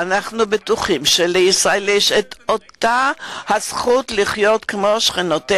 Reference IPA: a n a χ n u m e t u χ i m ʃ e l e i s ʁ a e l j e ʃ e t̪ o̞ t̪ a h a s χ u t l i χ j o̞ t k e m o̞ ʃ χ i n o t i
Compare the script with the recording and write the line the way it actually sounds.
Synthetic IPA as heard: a n a χ n u b e t u χ i m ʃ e l e i s ʁ a e l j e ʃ e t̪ o̞ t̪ a h a s χ u t l i χ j o̞ t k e m o̞ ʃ χ i n o t e

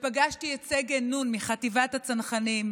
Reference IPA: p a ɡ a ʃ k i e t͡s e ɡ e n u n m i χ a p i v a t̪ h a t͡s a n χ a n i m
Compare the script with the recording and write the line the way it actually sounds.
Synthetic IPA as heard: p a ɡ a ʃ t i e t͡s e ɡ e n u n m i χ a t i v a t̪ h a t͡s a n χ a n i m

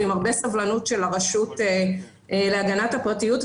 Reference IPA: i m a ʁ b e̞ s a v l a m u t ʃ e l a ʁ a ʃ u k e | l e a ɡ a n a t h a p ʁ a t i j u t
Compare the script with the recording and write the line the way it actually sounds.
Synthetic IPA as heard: i m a ʁ b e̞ s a v l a n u t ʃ e l a ʁ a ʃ u t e | l e a ɡ a n a t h a p ʁ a t i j u t

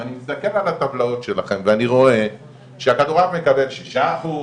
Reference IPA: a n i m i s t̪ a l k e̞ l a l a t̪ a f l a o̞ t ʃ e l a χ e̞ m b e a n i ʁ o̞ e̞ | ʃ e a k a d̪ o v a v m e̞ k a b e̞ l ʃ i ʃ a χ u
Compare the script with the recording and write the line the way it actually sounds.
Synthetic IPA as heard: a n i m i s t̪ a k e̞ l a l a t̪ a v l a o̞ t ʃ e l a χ e̞ m v e a n i ʁ o̞ e̞ | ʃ e a k a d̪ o ʁ a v m e̞ k a b e̞ l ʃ i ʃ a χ u

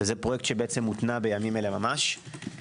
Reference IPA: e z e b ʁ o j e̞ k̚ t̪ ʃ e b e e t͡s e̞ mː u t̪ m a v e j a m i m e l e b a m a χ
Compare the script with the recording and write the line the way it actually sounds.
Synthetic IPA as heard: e z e p ʁ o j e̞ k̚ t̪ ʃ e b e e t͡s e̞ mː u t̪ n a b e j a m i m e l e m a m a ʃ

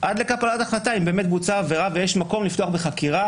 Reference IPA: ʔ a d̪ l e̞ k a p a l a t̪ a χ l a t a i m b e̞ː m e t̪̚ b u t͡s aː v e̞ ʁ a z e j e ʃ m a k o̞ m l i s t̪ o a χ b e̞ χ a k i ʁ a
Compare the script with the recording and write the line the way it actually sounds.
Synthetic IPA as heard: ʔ a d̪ l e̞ k a p a l a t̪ a χ l a t a i m b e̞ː m e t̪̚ b u t͡s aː v e̞ ʁ a v e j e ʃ m a k o̞ m l i f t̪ o a χ b e̞ χ a k i ʁ a

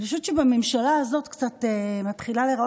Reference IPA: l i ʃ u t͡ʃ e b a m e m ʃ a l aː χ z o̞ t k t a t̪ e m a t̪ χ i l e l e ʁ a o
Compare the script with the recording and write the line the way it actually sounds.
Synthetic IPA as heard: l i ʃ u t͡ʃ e b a m e m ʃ a l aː z o̞ t k t͡s a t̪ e m a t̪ χ i l a l e ʁ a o

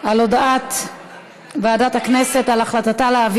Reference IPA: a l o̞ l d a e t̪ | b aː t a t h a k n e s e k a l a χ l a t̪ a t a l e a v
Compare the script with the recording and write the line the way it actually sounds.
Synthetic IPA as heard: a l o̞ d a a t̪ | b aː d a t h a k n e s e t a l a χ l a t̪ a t a l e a v

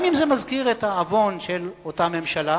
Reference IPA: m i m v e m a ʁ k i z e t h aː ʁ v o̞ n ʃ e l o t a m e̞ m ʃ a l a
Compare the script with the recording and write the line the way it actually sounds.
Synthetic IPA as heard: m i m z e m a z k i ʁ e t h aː v o̞ n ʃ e l o t a m e̞ m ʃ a l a

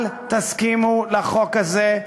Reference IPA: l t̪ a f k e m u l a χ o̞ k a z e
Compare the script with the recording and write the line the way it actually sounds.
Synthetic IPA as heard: l t̪ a s k i m u l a χ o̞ k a z e

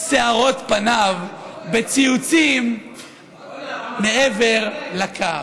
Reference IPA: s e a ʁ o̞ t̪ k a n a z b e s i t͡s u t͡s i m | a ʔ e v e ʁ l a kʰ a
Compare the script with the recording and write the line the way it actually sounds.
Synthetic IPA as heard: s e a ʁ o̞ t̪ p a n a v b e t͡s i u t͡s i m | e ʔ e v e ʁ l a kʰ a

